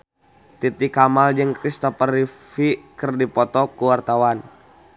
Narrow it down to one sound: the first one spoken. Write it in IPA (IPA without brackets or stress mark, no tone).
t̪